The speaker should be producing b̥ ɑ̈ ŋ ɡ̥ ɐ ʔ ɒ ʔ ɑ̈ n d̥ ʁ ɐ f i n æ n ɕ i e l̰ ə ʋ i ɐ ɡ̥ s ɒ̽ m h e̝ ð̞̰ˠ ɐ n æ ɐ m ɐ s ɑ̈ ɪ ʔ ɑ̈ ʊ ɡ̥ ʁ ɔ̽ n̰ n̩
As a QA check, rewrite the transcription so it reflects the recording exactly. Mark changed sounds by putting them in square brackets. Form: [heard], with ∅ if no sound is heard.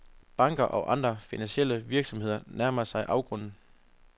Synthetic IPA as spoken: b̥ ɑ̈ ŋ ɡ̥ ɐ ʔ ɒ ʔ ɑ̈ n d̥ ʁ ɐ f i n æ n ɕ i e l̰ ə ʋ i ɐ ɡ̥ s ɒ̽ m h e̝ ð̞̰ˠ ɐ n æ ɐ m ɐ s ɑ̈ ɪ ʔ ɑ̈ ʊ ɡ̥ ʁ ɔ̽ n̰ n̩